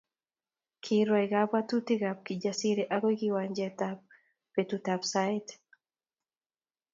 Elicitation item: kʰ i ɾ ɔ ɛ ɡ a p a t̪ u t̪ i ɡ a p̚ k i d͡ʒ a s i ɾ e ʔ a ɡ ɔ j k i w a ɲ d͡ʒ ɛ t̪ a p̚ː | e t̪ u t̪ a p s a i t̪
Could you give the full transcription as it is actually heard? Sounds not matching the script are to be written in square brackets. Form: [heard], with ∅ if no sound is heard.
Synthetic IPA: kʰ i ɾ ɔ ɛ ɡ a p a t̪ u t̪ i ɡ a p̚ k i d͡ʒ a s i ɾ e ʔ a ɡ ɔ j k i w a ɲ d͡ʒ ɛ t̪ a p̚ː | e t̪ u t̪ a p s a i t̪